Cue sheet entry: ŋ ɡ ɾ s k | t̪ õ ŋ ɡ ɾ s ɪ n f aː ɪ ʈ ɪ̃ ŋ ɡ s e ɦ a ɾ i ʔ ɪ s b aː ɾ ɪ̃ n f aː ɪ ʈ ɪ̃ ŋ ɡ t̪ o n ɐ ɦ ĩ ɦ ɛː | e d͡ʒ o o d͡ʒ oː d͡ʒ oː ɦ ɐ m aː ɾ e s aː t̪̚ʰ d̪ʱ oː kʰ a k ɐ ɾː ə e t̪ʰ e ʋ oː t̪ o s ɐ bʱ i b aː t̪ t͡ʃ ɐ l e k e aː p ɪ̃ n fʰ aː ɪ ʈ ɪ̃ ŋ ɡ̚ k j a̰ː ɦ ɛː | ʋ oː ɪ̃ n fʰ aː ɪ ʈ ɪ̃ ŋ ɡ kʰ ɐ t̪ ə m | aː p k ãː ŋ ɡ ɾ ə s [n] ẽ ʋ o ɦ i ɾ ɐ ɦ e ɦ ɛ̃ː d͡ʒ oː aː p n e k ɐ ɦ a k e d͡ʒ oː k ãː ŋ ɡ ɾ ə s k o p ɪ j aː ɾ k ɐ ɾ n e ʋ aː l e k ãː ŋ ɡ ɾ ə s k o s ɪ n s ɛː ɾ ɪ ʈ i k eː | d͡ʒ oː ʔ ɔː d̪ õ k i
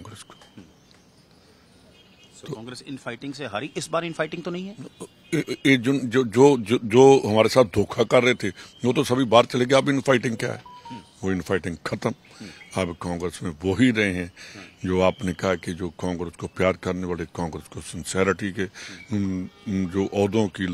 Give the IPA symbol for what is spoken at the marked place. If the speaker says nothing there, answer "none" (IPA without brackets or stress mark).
m